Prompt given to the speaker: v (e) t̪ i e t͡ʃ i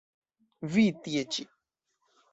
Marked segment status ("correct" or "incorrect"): incorrect